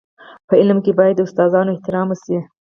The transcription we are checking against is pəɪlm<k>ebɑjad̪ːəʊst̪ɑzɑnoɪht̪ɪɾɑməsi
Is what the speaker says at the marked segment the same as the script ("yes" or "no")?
yes